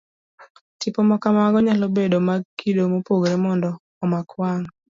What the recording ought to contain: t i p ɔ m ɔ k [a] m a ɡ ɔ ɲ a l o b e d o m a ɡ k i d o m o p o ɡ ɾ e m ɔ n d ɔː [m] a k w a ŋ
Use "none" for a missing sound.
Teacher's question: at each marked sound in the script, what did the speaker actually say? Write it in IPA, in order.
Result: a, m

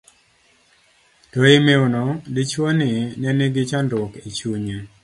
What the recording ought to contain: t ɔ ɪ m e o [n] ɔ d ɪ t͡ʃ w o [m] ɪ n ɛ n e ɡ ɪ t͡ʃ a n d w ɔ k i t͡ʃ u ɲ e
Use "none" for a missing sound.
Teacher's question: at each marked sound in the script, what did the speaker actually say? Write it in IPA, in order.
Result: n, n

